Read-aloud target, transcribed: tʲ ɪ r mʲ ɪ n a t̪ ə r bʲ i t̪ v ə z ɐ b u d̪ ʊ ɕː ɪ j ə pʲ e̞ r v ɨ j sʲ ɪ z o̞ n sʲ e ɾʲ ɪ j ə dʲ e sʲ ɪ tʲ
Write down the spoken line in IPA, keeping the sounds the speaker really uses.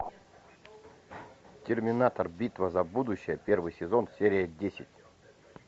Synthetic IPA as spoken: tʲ ɪ r mʲ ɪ n a t̪ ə r bʲ i t̪ v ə z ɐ b u d̪ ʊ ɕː ɪ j ə pʲ e̞ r v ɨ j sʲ ɪ z o̞ n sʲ e ɾʲ ɪ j ə dʲ e sʲ ɪ tʲ